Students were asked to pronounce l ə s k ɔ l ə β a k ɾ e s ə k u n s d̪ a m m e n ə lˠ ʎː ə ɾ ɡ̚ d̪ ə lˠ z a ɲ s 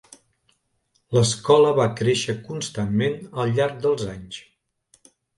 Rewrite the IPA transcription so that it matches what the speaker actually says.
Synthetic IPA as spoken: l ə s k ɔ l ə β a k ɾ e ʃ ə k u n s t̪ a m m e n ə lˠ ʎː a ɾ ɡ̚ d̪ ə lˠ z a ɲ s